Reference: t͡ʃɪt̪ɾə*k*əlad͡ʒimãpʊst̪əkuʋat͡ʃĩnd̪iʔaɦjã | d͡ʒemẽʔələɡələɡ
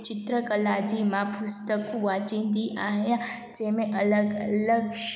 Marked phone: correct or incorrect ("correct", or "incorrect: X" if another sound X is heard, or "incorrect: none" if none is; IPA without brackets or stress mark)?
correct